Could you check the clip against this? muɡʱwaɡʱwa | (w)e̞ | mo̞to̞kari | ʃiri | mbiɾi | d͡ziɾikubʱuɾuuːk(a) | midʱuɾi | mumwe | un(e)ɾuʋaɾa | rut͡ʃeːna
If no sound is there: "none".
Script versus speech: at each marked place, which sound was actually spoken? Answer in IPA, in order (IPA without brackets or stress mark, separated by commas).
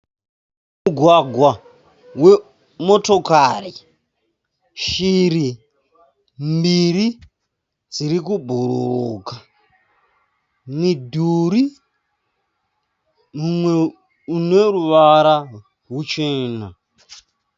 w, a, e